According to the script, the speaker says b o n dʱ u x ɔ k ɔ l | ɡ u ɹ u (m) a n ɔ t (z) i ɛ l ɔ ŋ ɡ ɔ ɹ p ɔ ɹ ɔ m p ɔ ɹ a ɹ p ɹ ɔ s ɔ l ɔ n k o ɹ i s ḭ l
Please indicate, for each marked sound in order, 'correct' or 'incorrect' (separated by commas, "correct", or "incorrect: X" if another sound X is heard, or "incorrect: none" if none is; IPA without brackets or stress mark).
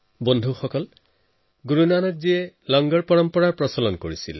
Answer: incorrect: n, correct